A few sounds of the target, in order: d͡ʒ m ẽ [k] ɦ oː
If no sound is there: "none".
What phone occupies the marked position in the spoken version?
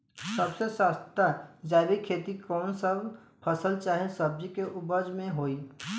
none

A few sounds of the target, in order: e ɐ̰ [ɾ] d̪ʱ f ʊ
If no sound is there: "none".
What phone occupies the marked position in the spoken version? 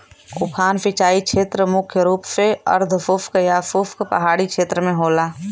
ɾ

